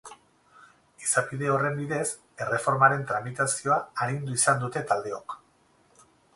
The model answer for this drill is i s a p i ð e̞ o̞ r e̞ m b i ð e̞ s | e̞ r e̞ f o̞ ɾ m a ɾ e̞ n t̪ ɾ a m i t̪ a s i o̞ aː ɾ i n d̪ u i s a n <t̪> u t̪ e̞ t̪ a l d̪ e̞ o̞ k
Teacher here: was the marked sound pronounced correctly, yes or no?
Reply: no